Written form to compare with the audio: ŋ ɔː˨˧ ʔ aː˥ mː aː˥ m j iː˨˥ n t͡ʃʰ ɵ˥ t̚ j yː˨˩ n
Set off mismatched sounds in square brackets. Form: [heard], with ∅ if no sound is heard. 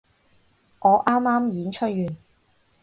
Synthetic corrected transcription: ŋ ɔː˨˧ ʔ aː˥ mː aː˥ m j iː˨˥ n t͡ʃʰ ɵ˥ t̚ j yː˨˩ n